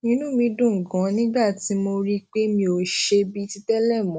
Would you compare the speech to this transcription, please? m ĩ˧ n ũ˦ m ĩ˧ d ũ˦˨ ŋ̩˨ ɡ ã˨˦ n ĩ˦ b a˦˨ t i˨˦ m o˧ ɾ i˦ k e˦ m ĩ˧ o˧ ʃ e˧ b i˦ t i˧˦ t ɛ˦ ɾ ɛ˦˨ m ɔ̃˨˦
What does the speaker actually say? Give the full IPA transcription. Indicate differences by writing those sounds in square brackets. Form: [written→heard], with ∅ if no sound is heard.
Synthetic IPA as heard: [m→n] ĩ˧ n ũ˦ m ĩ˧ d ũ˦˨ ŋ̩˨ ɡ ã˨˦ n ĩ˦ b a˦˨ t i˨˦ m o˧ ɾ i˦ [k→k͡p] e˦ m ĩ˧ o˧ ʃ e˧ b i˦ t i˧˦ t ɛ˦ [ɾ→l] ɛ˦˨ m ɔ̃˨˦